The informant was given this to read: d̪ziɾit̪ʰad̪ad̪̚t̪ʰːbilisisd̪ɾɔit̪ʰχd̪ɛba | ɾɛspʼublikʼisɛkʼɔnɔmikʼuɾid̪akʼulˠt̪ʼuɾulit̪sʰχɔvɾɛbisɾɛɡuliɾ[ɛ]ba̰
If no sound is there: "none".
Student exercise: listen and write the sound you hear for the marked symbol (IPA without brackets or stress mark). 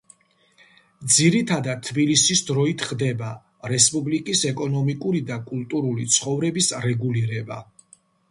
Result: ɛ